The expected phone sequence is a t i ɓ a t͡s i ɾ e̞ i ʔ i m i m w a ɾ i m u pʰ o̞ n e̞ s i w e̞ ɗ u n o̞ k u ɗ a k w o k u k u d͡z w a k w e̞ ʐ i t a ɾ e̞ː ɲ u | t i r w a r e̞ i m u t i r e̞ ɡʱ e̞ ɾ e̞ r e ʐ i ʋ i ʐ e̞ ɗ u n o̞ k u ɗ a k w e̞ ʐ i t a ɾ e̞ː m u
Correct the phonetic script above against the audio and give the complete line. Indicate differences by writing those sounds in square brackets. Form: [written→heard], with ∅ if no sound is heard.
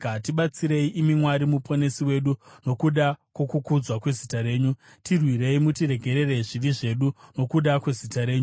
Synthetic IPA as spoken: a t i ɓ a t͡s i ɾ e̞ i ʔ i m i m w a ɾ i m u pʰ o̞ n e̞ s i w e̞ ɗ u n o̞ k u ɗ a k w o k u k u d͡z w a k w e̞ [ʐ→z] i t a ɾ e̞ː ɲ u | t i r w [a→i] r e̞ i m u t i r e̞ ɡʱ e̞ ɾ e̞ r e ʐ i ʋ i ʐ e̞ ɗ u n o̞ k u ɗ a k w e̞ [ʐ→z] i t a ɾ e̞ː [m→ɲ] u